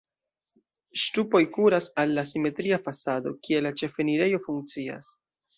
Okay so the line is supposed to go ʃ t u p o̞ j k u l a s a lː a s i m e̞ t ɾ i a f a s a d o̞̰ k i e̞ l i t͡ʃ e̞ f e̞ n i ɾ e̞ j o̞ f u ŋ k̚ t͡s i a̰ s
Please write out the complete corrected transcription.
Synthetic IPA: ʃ t u p o̞ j k u ɾ a s a lː a s i m e̞ t ɾ i a f a s a d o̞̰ k i e̞ l a t͡ʃ e̞ f e̞ n i ɾ e̞ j o̞ f u ŋ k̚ t͡s i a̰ s